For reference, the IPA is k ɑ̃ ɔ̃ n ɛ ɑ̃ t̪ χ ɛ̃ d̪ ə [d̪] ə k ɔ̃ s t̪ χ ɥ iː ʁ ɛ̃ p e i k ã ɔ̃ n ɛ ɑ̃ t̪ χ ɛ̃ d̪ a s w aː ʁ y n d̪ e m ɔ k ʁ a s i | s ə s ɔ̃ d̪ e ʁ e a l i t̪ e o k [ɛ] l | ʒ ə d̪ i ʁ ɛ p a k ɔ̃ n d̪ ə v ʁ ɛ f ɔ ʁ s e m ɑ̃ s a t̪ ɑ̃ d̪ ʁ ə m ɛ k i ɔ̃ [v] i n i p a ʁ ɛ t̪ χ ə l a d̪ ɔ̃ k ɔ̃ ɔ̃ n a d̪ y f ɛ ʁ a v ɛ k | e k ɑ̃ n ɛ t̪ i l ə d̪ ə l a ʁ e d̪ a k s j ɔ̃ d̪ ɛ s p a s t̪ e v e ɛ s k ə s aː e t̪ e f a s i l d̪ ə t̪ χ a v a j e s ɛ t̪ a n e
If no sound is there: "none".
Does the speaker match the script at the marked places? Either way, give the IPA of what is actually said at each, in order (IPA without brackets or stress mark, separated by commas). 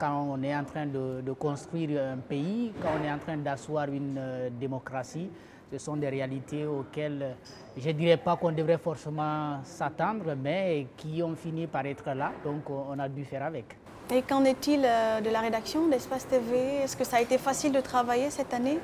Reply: d̪, ɛ, f